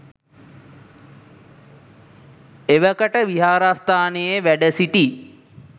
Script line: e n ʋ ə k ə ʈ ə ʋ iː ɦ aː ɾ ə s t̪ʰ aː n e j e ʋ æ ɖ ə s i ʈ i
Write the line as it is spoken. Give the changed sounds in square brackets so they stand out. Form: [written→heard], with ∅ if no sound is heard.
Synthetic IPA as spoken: e [n→∅] ʋ ə k ə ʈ ə ʋ [iː→i] ɦ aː ɾ [ə→a] s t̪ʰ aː n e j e ʋ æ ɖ ə s i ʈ i